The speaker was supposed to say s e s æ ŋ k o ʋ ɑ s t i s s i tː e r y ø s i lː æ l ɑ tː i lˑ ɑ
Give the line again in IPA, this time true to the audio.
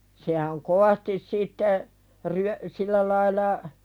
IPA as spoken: s e h æ ŋ k o ʋ ɑ s t i s s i tː e r y ø s i lː æ l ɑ i lˑ ɑ